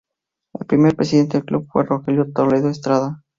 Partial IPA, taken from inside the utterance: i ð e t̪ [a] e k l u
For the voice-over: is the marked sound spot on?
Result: no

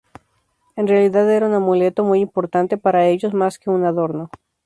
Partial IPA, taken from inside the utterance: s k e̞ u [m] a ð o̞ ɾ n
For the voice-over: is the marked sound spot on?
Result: no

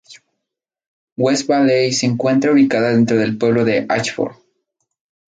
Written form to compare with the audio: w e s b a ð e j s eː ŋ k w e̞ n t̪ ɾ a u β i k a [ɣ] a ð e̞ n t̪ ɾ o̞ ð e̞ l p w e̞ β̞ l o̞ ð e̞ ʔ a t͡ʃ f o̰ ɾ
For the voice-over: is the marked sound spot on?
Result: no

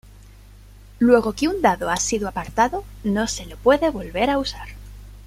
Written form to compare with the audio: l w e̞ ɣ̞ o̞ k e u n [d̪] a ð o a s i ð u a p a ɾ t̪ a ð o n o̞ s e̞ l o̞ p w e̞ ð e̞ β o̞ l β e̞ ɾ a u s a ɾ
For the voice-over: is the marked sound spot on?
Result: yes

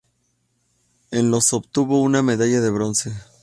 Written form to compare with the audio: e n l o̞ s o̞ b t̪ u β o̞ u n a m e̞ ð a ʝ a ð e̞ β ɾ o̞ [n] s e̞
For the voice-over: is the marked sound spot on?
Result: yes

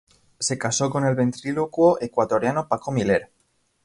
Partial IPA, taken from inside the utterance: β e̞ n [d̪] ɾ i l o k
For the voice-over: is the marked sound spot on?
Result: no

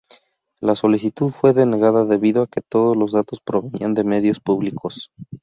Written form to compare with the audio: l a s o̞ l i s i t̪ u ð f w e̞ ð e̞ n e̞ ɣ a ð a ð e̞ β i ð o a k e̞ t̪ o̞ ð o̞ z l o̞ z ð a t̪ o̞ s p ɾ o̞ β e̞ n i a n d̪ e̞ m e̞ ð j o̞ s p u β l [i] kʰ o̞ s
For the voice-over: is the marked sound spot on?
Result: yes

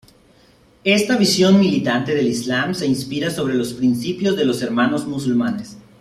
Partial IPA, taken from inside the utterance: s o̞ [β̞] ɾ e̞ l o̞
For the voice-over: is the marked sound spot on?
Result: yes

